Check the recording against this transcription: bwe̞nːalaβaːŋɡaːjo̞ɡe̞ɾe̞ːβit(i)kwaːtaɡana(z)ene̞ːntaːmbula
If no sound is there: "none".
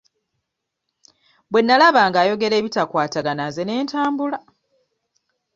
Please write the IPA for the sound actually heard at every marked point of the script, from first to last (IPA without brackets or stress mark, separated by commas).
a, z